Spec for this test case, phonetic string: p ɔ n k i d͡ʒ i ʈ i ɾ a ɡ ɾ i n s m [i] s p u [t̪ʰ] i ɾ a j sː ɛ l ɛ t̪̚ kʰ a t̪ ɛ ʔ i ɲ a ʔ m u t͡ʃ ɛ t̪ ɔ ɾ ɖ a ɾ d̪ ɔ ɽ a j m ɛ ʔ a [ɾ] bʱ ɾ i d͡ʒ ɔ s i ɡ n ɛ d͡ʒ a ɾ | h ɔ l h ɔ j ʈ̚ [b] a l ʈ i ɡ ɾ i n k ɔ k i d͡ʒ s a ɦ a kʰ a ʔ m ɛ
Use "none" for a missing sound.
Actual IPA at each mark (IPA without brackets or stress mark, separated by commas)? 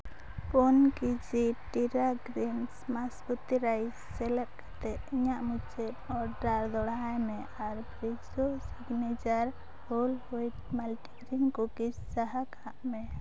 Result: a, t̪, ɾ, m